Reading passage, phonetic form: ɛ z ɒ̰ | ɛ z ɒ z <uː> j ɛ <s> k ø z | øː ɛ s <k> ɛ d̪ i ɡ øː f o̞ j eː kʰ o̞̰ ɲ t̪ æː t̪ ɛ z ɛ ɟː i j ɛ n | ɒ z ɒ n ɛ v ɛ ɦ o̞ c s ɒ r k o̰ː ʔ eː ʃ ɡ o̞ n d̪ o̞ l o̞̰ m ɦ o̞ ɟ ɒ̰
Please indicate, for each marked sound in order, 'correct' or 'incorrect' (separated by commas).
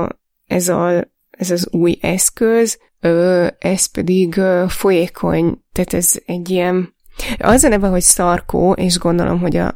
correct, correct, incorrect